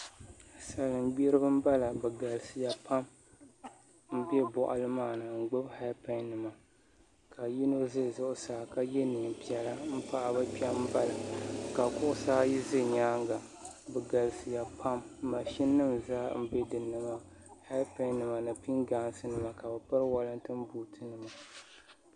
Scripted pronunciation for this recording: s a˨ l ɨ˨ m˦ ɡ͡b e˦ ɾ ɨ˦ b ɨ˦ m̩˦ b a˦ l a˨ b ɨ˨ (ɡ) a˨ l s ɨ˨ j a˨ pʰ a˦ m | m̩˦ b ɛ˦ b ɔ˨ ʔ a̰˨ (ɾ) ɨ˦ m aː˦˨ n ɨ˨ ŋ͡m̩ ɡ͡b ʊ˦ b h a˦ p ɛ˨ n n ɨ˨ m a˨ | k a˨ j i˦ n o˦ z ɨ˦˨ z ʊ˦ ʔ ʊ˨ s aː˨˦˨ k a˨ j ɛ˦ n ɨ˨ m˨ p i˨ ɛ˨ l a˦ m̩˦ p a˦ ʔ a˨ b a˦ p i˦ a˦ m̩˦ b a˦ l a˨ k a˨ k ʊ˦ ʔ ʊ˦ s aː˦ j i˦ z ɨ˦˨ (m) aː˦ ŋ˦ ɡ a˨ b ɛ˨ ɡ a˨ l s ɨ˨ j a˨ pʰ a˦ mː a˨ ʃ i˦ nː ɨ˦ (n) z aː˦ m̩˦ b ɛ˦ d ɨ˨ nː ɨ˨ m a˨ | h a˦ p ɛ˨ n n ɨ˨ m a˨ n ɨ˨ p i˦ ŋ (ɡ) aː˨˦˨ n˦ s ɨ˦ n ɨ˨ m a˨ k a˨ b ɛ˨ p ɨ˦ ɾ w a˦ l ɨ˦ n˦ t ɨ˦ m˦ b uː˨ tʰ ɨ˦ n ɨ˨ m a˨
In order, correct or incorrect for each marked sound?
correct, incorrect: l, incorrect: ɲ, incorrect: m, correct

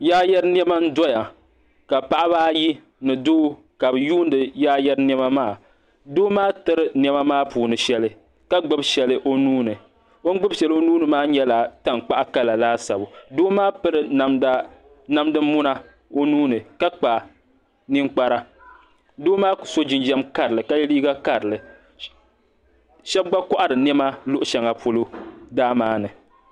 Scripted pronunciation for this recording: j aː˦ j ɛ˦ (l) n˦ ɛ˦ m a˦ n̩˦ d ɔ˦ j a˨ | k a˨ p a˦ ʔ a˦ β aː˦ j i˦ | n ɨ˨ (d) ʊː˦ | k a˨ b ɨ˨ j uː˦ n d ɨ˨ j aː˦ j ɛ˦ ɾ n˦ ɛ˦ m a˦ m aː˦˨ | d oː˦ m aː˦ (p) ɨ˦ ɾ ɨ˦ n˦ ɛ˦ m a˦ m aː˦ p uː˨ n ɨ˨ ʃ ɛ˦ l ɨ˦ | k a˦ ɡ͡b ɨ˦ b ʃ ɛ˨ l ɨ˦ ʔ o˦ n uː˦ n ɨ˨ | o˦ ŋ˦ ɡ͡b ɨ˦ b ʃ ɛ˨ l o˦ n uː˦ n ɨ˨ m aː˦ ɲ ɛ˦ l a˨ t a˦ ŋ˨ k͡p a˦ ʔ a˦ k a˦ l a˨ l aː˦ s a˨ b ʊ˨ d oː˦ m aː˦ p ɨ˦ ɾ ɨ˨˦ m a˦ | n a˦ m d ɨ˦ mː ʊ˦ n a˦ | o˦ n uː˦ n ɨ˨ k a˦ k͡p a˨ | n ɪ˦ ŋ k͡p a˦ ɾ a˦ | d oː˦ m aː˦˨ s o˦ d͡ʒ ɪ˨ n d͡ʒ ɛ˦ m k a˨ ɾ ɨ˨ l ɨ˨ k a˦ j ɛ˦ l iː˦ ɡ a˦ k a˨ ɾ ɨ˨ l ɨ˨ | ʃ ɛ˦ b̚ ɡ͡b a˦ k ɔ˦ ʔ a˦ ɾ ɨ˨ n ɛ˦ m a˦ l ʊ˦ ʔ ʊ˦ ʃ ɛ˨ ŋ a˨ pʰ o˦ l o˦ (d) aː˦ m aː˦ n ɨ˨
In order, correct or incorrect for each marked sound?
incorrect: ɾ, correct, incorrect: t, correct

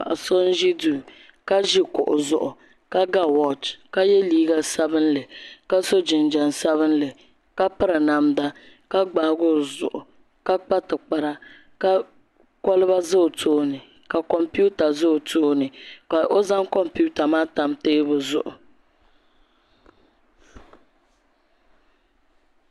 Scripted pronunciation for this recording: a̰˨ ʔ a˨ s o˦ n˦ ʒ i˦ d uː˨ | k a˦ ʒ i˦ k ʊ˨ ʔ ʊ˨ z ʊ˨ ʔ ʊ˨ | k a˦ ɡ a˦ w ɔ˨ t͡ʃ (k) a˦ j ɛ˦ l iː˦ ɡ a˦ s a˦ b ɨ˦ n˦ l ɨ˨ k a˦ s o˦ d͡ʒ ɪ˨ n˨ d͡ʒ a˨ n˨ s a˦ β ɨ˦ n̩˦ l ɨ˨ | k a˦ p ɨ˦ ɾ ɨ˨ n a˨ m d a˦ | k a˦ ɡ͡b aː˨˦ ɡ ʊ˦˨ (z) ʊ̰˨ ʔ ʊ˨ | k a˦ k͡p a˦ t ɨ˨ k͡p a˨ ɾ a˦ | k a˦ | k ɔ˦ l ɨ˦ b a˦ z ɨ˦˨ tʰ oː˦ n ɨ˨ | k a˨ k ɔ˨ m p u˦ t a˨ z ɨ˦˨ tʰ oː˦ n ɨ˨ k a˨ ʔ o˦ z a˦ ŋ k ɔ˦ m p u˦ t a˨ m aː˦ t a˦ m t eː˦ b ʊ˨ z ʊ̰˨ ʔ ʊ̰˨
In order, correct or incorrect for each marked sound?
correct, correct

